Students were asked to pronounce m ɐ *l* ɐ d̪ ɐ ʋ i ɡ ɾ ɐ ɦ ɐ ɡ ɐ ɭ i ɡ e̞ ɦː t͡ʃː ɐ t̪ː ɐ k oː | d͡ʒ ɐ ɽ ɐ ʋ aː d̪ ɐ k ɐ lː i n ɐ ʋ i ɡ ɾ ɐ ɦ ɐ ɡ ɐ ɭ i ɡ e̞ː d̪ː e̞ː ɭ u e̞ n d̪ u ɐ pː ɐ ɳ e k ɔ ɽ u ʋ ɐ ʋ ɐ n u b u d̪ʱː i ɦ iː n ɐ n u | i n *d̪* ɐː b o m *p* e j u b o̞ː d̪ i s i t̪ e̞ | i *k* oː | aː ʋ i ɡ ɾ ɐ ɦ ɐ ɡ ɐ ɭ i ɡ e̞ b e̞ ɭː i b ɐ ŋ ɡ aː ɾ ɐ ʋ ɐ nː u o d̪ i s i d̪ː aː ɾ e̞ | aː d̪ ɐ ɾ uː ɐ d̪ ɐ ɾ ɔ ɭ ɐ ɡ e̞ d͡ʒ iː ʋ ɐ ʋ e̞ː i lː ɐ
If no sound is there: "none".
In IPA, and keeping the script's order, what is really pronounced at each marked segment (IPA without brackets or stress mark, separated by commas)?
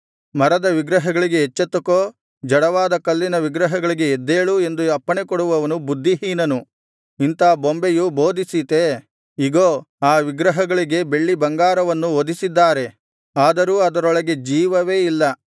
ɾ, t̪, b, ɡ